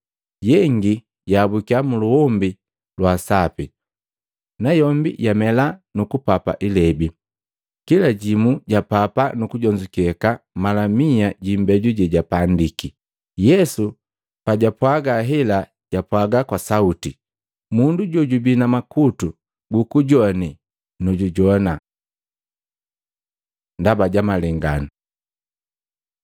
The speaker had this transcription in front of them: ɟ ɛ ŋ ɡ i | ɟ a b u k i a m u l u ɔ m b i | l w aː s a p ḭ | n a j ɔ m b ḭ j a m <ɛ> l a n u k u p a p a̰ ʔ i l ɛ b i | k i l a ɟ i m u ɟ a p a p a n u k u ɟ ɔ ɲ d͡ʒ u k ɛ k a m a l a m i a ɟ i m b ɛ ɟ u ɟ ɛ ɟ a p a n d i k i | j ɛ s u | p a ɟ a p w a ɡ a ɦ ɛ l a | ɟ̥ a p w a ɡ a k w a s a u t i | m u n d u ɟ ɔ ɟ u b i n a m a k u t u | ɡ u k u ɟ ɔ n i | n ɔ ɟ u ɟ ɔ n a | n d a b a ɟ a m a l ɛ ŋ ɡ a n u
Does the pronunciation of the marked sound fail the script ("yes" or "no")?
no